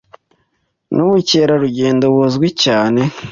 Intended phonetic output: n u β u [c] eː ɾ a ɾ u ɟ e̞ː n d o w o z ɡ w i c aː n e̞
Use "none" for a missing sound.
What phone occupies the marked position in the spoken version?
c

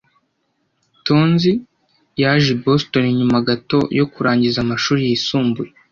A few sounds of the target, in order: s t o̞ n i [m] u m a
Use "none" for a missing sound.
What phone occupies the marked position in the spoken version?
ɲ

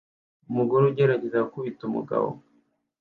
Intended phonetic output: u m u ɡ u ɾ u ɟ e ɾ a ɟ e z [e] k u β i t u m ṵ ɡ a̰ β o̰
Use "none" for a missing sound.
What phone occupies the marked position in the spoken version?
a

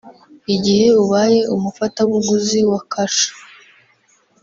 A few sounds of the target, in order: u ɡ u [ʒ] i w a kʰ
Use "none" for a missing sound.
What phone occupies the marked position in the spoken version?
z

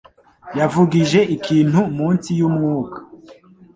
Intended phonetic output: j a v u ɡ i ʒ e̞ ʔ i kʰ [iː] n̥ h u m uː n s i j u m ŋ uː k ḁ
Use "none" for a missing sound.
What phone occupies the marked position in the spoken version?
iː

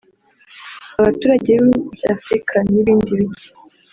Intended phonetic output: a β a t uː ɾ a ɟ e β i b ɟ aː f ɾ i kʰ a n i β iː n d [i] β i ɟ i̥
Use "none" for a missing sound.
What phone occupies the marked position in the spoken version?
i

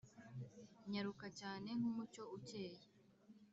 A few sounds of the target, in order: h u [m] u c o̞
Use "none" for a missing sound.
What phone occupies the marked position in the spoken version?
m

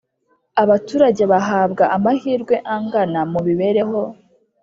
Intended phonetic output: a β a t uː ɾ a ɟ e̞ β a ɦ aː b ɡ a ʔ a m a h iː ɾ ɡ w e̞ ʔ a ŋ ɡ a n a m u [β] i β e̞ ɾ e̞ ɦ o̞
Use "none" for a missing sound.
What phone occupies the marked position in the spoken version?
β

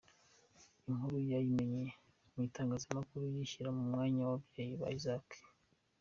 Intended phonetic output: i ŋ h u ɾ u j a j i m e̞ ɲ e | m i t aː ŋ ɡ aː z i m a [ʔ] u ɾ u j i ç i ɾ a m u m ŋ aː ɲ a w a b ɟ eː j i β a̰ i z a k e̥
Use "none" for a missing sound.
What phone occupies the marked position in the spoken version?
k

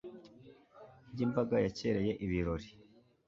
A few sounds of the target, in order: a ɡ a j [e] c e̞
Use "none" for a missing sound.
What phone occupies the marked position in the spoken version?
a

